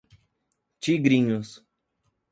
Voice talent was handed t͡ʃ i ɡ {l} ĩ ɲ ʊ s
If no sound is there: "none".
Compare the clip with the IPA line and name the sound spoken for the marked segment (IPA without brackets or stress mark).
ɾ